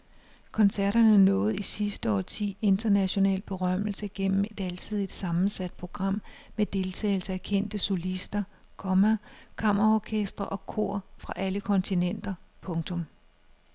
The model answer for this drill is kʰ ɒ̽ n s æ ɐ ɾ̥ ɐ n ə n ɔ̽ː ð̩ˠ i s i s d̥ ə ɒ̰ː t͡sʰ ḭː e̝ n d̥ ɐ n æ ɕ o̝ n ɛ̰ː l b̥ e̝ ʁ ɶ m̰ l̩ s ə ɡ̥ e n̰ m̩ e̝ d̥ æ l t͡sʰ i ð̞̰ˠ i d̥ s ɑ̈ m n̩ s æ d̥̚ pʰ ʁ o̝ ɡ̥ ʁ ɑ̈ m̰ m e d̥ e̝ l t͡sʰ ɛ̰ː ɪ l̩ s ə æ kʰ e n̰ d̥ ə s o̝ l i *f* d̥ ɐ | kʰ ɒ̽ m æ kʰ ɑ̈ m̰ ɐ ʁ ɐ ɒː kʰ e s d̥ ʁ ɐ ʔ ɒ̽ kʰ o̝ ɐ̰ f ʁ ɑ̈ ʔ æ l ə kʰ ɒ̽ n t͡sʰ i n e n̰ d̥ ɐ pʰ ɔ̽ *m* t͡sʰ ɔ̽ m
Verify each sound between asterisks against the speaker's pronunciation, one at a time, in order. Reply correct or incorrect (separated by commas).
incorrect, incorrect